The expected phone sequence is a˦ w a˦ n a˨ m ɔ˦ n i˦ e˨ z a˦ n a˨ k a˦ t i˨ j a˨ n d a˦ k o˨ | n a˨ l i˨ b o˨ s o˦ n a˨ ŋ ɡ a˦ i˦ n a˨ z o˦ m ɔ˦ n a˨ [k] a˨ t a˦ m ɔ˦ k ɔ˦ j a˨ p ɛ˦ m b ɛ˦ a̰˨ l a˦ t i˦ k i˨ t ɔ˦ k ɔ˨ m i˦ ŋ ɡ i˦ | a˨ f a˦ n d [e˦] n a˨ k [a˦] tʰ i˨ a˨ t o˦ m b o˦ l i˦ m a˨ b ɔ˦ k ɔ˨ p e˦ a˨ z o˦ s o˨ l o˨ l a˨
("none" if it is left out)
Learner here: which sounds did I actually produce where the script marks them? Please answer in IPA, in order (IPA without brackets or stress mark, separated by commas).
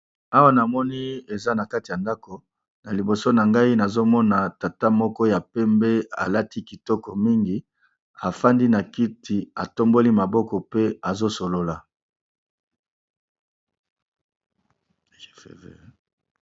t, i˦, i˦